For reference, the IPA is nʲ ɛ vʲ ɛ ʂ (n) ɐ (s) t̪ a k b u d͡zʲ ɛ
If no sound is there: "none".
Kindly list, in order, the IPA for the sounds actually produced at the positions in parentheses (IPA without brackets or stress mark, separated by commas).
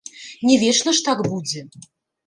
n, ʂ